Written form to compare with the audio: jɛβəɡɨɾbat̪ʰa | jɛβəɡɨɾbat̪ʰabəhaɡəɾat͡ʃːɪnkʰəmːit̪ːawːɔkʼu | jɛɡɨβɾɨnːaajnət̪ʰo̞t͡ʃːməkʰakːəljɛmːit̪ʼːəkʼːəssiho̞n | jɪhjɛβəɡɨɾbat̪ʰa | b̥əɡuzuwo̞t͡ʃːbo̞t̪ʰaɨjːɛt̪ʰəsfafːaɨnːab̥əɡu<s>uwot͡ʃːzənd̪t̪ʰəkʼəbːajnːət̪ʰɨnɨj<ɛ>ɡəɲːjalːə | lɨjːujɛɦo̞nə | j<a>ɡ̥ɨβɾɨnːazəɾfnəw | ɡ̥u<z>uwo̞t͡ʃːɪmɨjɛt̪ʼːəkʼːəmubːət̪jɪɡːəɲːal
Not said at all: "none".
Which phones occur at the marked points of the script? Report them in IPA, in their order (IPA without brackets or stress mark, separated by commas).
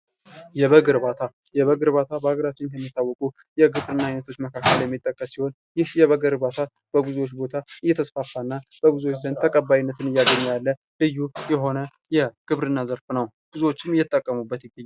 z, a, ɛ, z